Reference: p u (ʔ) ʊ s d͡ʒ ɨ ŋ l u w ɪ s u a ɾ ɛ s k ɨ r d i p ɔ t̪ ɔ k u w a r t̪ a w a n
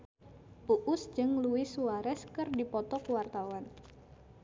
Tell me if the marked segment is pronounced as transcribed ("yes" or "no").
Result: yes